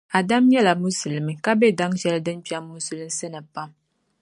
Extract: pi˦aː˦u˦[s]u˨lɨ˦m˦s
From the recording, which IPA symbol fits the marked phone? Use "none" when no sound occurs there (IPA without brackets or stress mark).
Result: s